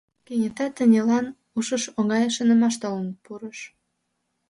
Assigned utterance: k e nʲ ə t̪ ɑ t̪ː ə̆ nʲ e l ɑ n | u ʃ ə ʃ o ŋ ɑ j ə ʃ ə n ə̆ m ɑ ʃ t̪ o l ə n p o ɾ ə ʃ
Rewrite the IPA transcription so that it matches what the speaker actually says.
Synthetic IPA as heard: k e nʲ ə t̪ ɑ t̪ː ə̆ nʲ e l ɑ n | u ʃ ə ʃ o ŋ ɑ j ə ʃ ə n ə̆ m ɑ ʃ t̪ o l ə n p u ɾ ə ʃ